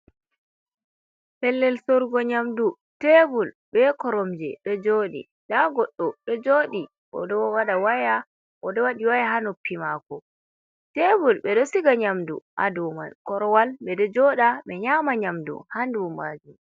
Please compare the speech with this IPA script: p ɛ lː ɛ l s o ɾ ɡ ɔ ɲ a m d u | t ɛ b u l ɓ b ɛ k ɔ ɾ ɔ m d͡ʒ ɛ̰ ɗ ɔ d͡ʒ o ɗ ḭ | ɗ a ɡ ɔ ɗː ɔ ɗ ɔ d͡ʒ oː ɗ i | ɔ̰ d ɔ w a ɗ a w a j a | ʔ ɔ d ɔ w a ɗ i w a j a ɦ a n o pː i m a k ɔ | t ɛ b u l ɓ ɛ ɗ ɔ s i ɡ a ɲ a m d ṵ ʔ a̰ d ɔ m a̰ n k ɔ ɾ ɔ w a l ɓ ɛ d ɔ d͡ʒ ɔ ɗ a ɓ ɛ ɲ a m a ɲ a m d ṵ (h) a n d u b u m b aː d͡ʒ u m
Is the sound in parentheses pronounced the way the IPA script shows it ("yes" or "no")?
yes